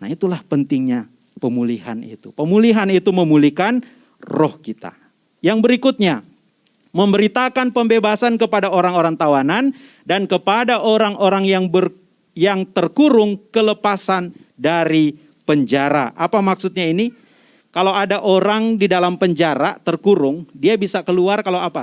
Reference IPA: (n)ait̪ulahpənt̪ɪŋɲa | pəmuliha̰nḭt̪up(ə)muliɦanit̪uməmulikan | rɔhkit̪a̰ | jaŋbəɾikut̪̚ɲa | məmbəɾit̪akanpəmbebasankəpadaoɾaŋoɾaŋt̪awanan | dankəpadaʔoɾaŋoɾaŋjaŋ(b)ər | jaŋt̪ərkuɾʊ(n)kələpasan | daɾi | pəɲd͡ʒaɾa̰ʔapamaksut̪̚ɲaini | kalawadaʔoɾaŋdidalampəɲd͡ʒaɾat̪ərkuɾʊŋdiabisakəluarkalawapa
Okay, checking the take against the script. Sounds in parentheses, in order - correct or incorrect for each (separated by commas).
correct, correct, correct, incorrect